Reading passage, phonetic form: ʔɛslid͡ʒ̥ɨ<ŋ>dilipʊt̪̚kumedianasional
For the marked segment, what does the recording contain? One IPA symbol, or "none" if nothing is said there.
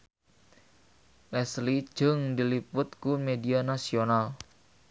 ŋ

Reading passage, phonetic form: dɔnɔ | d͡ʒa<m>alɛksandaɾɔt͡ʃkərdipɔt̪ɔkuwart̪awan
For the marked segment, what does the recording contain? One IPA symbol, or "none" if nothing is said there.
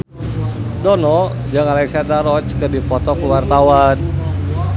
ŋ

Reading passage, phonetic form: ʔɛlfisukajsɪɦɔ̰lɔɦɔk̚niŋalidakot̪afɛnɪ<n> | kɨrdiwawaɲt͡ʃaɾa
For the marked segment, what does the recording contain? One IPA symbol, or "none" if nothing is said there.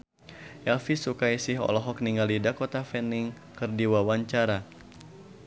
ŋ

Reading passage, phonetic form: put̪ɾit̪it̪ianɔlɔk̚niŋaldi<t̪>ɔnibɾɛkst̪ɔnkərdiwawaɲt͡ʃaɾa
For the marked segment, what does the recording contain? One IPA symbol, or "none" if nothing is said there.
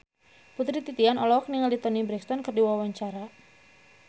t̪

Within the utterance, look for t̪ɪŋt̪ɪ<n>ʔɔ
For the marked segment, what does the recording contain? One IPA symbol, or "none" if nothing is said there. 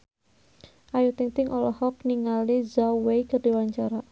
ŋ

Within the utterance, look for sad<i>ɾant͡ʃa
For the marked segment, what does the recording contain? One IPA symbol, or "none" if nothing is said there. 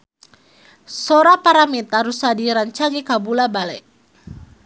i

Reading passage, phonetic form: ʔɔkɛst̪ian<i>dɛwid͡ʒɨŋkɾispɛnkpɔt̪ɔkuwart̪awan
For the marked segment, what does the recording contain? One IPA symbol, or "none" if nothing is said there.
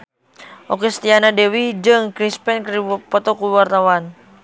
a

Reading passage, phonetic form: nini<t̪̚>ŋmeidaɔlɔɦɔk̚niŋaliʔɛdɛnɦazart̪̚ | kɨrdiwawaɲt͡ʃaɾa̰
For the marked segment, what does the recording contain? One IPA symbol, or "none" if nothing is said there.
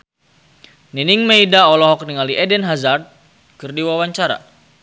none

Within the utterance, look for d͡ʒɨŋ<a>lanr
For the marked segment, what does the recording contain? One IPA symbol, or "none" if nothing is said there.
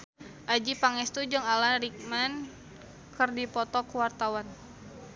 a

